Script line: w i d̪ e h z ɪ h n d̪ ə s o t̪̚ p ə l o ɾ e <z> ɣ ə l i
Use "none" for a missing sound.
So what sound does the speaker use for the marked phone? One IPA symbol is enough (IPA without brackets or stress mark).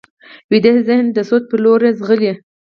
z